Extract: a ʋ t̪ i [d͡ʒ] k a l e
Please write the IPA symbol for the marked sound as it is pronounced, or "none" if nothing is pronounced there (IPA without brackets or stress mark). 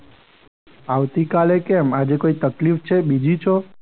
none